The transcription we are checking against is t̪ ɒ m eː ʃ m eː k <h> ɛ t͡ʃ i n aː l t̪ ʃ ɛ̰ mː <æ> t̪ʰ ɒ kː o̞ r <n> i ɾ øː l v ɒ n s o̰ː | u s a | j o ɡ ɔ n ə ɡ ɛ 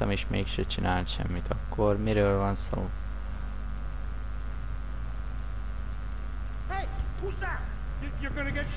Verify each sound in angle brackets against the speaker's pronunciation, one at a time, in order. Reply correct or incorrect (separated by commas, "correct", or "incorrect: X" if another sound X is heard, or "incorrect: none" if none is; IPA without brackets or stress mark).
incorrect: ʃ, incorrect: i, incorrect: m